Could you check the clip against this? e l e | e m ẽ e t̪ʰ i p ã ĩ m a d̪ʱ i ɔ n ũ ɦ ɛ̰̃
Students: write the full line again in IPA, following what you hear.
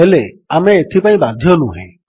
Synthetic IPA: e l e | a m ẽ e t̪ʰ i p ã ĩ b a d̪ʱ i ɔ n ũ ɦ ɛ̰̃